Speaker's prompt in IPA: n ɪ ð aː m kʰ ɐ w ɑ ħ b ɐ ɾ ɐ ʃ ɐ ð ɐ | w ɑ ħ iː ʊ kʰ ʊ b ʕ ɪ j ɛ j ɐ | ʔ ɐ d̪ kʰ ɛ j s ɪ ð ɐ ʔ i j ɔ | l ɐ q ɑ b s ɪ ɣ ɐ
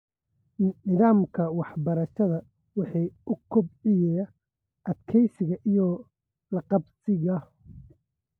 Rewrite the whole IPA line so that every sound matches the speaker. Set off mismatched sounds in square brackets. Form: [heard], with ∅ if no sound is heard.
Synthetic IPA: n ɪ ð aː m kʰ ɐ w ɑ ħ b ɐ ɾ ɐ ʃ ɐ ð ɐ | w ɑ ħ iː ʊ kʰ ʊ b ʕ ɪ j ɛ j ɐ | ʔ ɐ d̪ kʰ ɛ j s ɪ [ɣ] ɐ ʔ i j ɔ | l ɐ q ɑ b s ɪ ɣ ɐ